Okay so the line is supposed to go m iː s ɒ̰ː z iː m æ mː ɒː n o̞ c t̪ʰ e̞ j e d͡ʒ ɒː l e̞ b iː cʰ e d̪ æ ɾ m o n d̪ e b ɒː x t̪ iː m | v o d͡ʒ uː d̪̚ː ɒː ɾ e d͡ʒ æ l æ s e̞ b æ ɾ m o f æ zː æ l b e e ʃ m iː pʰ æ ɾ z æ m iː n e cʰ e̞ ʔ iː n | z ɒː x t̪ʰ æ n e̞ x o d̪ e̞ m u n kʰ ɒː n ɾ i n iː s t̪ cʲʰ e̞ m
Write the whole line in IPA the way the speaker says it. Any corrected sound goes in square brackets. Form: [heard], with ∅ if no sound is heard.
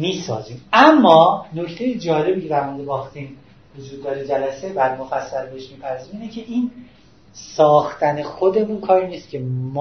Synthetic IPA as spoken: m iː s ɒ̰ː z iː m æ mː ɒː n o̞ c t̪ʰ e̞ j e d͡ʒ ɒː l e̞ b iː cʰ e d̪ æ ɾ m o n d̪ e b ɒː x t̪ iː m | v o d͡ʒ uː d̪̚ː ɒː ɾ e d͡ʒ æ l æ s e̞ b æ ɾ m o f æ [sː] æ l b e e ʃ m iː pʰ æ ɾ z [i] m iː n e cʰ e̞ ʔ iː n | [s] ɒː x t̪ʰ æ n e̞ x o d̪ e̞ m u n kʰ ɒː [∅] ɾ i n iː s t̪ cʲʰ e̞ m